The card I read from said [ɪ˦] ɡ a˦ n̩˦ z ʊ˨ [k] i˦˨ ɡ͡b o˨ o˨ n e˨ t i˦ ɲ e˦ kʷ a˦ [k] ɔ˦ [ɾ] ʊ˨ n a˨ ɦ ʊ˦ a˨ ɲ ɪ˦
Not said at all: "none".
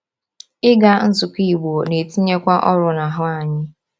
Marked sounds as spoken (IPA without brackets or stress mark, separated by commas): ɪ˦, k, ʔ, ɾ